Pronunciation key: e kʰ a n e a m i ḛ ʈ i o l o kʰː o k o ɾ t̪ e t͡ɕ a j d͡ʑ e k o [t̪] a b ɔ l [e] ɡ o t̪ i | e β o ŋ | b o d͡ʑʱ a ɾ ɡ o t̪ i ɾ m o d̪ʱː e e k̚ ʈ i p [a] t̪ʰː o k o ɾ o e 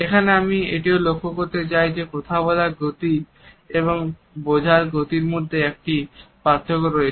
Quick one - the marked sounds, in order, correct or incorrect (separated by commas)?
incorrect, incorrect, correct